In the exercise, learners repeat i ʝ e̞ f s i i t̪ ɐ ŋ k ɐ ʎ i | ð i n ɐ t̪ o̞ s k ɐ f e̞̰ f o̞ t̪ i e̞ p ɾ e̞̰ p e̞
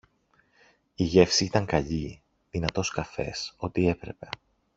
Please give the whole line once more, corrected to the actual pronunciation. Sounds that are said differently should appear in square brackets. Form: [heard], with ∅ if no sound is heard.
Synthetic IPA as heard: i ʝ e̞ f s i i t̪ ɐ ŋ k ɐ ʎ i | ð i n ɐ t̪ o̞ s k ɐ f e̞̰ [s] o̞ t̪ i e̞ p ɾ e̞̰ p e̞